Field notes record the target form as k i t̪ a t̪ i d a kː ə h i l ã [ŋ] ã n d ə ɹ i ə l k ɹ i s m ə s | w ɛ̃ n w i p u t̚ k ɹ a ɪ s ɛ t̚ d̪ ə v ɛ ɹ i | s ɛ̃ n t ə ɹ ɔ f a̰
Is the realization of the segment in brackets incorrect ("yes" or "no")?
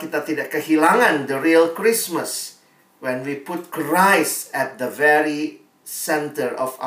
no